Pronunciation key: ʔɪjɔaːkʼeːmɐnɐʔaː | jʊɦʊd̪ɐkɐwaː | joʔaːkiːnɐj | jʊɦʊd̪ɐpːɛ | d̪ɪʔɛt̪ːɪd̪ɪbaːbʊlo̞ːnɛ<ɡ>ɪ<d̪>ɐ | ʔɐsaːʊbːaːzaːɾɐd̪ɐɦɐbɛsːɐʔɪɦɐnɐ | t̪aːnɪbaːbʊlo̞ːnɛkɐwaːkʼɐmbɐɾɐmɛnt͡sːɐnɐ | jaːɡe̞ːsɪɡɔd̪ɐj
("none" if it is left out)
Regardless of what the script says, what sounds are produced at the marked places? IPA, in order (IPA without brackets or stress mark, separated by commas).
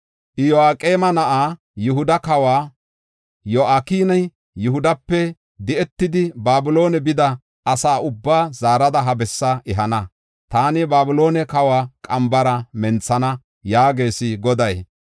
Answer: b, d̪